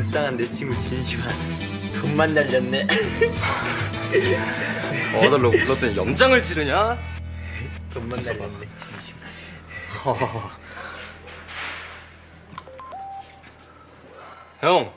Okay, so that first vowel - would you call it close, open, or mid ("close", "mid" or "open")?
open